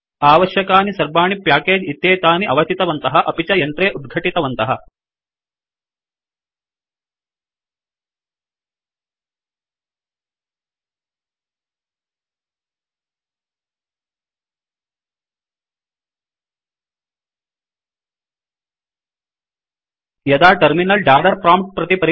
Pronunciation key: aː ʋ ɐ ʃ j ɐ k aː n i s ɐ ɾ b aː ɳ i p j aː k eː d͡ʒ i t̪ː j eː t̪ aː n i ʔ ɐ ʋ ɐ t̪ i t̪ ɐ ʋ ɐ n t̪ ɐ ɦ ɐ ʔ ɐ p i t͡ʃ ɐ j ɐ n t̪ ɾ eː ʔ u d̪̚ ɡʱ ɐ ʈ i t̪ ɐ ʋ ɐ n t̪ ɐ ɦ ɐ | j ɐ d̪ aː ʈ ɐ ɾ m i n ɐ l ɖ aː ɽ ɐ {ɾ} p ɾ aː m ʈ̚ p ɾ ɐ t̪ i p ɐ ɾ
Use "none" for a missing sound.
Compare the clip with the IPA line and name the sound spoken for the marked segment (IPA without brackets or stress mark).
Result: ɾ